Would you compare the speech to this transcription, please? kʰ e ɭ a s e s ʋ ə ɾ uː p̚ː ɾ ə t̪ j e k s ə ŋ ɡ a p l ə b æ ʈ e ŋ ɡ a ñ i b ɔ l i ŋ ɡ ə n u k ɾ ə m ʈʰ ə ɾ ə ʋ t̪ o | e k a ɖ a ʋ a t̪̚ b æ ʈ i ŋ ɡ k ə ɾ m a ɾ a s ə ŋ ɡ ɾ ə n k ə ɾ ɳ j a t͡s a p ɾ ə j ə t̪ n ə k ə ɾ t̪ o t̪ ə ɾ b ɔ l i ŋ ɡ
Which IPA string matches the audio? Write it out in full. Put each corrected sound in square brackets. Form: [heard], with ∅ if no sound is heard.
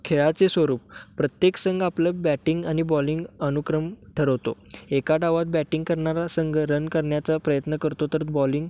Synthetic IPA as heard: kʰ e ɭ a [t͡s] e s ʋ ə ɾ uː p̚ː ɾ ə t̪ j e k s ə ŋ ɡ a p l ə b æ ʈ [i] ŋ ɡ a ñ i b ɔ l i ŋ ɡ ə n u k ɾ ə m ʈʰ ə ɾ ə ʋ t̪ o | e k a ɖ a ʋ a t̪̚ b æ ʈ i ŋ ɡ k ə ɾ [ɳ] a ɾ a s ə ŋ ɡ ɾ ə n k ə ɾ ɳ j a t͡s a p ɾ ə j ə t̪ n ə k ə ɾ t̪ o t̪ ə ɾ b ɔ l i ŋ ɡ